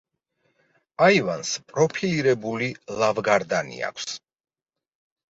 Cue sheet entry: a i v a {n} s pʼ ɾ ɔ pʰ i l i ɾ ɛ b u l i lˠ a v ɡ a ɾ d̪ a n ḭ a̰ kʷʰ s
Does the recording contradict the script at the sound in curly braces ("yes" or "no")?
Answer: no